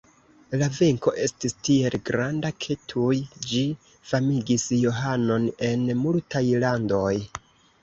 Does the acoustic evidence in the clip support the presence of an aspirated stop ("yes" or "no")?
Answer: yes